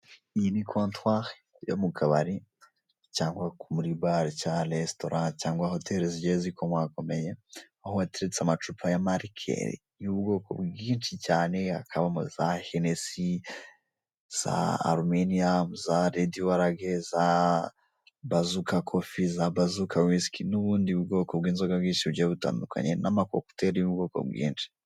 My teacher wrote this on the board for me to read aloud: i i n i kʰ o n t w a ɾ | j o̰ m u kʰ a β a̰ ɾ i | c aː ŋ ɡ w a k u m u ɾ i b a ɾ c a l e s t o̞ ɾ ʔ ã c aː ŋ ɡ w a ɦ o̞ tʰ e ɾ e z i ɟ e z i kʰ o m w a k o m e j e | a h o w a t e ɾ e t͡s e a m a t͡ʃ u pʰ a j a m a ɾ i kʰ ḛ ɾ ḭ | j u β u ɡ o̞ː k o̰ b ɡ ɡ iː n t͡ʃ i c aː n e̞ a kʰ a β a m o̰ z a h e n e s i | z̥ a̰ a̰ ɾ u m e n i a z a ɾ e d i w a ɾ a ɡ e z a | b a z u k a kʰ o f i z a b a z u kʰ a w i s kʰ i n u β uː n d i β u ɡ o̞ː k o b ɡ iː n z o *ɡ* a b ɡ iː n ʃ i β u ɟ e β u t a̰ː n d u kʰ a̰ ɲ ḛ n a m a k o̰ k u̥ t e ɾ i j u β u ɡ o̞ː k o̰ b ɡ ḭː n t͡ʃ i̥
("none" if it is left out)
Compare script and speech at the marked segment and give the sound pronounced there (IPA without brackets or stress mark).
ɡ